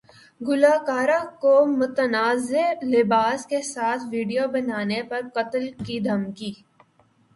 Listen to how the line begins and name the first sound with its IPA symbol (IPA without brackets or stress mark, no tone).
ɡ